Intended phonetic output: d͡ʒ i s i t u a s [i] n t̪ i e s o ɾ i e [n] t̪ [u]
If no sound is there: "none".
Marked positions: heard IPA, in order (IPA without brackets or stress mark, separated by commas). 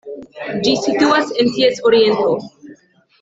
e, n, o